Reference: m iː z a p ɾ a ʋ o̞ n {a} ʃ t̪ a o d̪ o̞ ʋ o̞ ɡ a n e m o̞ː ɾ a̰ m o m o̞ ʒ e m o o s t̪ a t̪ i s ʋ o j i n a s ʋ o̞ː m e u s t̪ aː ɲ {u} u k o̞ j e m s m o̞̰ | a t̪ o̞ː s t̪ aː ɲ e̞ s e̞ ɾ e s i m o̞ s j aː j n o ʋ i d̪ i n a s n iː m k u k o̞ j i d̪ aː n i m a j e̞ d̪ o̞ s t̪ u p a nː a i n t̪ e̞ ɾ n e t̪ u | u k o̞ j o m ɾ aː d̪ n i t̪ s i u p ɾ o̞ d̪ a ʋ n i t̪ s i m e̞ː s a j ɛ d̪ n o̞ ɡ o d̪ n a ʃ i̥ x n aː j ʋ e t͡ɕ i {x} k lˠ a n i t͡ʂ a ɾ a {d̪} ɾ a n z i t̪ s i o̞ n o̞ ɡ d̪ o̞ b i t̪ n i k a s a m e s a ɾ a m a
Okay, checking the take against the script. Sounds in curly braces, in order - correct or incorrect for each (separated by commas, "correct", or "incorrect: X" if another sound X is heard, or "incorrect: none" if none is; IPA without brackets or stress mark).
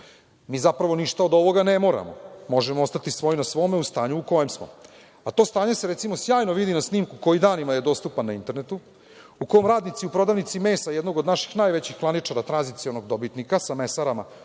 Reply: incorrect: i, correct, correct, incorrect: t̪